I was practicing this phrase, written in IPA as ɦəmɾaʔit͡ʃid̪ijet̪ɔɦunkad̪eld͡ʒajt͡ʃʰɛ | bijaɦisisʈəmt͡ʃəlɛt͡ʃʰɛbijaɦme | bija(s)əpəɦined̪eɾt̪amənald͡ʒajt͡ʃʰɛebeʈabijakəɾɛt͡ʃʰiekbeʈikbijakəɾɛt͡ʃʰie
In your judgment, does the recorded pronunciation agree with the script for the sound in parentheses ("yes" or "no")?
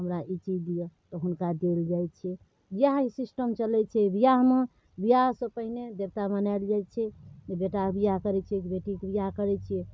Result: yes